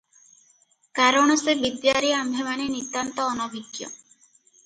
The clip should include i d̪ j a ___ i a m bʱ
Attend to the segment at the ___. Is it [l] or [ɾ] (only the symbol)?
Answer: ɾ